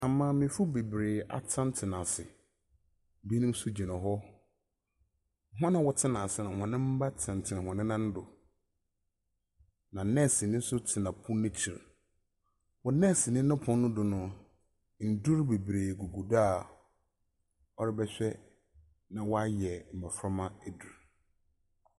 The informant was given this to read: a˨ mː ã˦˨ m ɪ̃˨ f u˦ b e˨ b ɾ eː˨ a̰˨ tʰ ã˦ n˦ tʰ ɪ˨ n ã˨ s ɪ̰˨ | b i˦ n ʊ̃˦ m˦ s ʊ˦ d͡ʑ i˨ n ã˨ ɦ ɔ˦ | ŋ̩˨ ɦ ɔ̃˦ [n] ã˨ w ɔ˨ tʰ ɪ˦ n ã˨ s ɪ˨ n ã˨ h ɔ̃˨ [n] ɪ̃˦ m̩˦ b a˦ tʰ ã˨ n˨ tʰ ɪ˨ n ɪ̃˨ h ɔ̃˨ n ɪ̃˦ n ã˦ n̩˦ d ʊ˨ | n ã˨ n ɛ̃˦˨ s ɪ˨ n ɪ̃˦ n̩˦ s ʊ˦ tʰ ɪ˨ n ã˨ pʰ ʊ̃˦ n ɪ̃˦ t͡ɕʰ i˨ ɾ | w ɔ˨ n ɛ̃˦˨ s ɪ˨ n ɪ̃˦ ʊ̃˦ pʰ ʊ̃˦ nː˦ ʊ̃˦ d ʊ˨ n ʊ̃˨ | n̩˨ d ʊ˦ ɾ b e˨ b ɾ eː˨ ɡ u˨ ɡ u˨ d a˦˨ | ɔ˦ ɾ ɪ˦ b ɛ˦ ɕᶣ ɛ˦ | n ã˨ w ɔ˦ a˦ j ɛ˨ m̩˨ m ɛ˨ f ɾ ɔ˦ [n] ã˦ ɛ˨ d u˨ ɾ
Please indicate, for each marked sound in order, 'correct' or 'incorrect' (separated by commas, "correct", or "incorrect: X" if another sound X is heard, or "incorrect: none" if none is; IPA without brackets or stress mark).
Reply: correct, correct, incorrect: m